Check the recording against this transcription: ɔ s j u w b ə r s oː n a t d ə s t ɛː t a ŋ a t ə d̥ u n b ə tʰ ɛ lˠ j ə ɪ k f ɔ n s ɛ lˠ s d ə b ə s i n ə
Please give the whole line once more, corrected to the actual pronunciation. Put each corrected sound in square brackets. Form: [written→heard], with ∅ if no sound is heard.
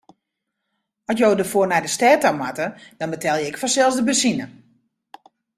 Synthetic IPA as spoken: ɔ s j [u→o] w [b→d] ə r [s→f] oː n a [t→∅] d ə s t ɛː t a [ŋ→m] a t ə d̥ [u→ɔ] n b ə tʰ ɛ lˠ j ə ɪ k f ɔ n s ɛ lˠ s d ə b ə s i n ə